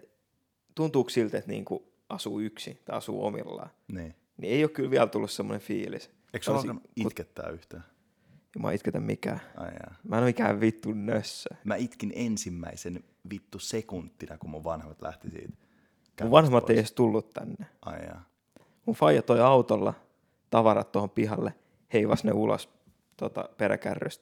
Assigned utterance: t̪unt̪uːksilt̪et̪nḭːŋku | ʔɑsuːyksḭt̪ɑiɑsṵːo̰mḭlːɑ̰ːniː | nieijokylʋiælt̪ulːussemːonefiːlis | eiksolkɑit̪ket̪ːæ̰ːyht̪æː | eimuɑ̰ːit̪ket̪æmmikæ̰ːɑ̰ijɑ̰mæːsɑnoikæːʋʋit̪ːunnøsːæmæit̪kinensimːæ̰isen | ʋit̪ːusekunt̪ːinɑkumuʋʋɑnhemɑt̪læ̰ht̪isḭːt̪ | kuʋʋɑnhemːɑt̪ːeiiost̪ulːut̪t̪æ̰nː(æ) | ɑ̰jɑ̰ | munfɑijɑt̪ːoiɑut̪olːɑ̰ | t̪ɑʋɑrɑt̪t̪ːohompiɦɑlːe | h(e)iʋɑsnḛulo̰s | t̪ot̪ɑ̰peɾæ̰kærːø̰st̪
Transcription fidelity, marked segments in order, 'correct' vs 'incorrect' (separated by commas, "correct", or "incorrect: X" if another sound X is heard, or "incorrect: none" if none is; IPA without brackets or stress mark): incorrect: e, correct